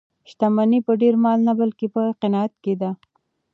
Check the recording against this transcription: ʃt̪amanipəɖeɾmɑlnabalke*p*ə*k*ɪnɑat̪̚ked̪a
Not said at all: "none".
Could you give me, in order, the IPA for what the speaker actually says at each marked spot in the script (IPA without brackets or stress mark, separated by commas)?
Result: p, q